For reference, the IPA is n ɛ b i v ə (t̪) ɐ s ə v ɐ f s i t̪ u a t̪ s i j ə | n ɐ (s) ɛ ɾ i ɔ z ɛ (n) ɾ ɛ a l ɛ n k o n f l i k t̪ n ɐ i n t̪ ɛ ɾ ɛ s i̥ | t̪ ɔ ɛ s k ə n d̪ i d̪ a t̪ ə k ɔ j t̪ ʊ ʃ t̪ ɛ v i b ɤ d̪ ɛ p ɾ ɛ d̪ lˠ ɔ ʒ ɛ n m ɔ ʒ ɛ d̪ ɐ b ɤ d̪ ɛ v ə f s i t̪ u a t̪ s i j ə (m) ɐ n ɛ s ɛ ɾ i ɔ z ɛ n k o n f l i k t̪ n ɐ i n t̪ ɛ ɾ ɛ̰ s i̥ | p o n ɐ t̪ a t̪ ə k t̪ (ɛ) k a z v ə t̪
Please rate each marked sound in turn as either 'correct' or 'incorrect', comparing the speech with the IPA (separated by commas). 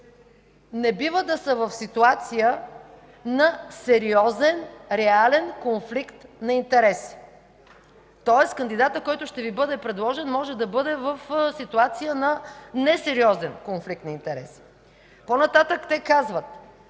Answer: incorrect, correct, correct, incorrect, correct